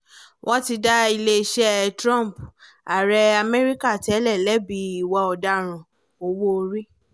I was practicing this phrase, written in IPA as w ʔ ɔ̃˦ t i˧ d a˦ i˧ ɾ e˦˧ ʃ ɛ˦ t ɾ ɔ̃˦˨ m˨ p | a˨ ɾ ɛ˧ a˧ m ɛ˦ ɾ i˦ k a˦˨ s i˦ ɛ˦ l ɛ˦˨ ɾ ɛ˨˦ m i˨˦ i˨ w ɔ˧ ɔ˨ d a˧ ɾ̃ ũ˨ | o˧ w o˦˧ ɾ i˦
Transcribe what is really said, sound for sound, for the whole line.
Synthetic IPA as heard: w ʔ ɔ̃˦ t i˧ d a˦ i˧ l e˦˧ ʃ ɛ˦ t ɾ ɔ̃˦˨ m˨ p | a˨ ɾ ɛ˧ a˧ m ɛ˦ ɾ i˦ k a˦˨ t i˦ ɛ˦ l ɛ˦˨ l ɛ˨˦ b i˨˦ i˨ w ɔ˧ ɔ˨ d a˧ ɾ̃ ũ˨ | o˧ w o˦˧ ɾ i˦